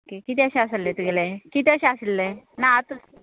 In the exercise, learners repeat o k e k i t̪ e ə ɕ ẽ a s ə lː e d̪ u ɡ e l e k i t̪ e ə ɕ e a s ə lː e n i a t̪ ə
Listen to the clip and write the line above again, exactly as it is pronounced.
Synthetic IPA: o k e k i t̪ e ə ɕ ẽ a s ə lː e t̪ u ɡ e l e k i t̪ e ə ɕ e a s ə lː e n a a t̪ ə